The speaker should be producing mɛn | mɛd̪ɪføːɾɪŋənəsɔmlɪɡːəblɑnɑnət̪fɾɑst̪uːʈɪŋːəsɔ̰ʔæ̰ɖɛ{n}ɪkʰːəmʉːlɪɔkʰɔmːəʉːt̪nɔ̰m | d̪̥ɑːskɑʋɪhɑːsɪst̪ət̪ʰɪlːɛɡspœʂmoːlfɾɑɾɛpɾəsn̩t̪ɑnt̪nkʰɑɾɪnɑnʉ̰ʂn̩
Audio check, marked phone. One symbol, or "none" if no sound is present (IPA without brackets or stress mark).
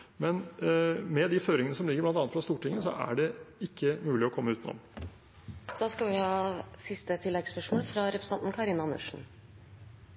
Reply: none